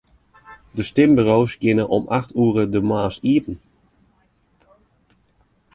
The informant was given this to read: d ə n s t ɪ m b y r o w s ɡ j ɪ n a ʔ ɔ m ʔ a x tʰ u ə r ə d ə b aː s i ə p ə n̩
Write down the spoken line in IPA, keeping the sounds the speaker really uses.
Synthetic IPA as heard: d ə s t ɪ m b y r o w s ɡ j ɪ n ə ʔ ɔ m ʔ a x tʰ u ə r ə d ə m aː s i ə p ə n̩